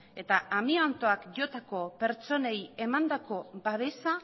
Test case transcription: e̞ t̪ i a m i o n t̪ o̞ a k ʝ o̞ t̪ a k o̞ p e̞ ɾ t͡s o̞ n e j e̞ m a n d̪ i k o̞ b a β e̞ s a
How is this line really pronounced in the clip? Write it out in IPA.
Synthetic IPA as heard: e̞ t̪ a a m i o n t̪ o̞ a k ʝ o̞ t̪ a k o̞ p e̞ ɾ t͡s o̞ n e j e̞ m a n d̪ a k o̞ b a β e̞ s a